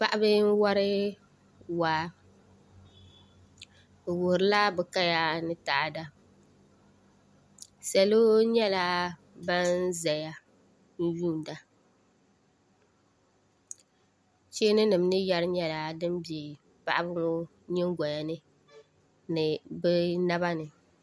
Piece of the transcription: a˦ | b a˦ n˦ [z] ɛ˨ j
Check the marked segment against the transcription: correct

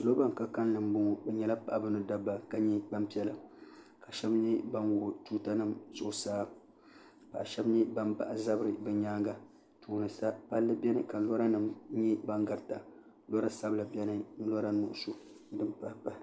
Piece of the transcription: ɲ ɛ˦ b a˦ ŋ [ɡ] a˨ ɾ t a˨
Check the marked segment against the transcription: correct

